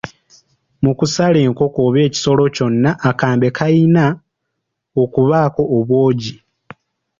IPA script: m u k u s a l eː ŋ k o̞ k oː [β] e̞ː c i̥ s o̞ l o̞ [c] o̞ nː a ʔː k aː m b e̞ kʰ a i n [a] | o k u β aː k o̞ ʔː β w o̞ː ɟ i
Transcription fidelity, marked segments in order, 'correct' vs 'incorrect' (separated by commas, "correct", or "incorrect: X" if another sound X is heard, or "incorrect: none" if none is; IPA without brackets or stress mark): correct, correct, correct